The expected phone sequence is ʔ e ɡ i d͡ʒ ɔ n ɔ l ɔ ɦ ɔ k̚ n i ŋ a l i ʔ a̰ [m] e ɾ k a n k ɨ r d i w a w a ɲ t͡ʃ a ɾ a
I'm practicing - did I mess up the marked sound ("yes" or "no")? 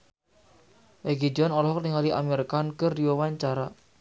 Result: no